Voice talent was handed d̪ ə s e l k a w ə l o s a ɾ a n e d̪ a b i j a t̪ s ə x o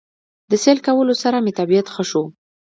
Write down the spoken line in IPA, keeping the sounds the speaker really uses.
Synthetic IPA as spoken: d̪ ə s e l k a w ə l o s a ɾ a m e t̪ a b i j a t̪ x ə ʃ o